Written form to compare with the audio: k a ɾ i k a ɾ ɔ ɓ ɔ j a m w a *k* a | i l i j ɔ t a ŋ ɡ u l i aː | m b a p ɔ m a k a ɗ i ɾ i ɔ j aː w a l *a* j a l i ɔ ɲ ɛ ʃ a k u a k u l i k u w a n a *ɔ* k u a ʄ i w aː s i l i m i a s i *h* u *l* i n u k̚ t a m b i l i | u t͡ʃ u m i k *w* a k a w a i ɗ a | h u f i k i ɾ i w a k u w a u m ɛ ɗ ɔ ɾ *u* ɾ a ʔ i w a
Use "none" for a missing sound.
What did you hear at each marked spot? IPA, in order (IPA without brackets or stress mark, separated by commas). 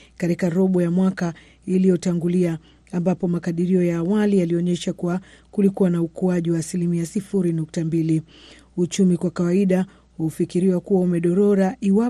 k, i, u, f, ɾ, w, ɔ